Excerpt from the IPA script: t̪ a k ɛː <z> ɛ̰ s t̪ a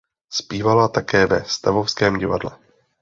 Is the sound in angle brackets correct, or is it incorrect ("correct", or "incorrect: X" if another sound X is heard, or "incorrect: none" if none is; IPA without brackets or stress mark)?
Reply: incorrect: v